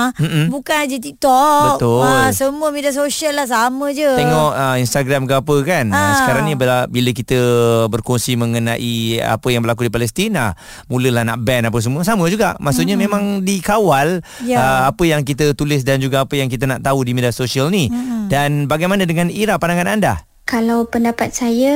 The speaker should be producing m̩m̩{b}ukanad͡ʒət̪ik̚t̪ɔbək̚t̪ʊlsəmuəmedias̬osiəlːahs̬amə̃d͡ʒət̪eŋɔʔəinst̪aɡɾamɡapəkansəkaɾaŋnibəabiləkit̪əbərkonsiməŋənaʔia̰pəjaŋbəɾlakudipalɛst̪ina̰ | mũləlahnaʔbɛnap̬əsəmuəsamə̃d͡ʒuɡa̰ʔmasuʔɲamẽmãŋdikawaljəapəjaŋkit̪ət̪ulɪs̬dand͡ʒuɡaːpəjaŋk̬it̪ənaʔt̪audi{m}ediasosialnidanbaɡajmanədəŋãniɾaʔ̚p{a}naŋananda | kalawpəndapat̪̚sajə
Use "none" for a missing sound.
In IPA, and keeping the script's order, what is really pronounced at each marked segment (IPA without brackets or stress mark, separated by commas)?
b, m, a